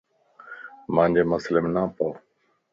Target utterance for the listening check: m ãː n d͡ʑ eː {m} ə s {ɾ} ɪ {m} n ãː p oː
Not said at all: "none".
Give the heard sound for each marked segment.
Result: m, l, m

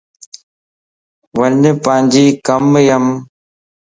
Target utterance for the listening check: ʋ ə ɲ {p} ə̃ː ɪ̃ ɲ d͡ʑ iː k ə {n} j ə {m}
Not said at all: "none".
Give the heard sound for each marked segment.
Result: p, m, m

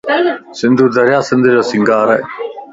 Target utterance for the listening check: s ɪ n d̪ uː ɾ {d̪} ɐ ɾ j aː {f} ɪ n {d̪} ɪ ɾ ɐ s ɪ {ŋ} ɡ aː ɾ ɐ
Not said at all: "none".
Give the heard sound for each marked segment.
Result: d̪, s, d̪, ŋ

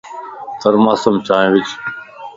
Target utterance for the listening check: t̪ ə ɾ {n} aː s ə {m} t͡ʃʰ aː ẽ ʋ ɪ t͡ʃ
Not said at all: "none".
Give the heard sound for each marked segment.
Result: m, m

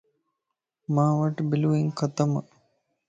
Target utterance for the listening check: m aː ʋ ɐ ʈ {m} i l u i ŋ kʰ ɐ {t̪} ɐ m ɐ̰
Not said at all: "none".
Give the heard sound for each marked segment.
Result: b, t̪

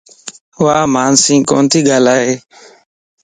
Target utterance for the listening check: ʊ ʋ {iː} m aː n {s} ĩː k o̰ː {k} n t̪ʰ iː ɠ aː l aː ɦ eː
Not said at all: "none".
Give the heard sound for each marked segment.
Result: aː, s, none

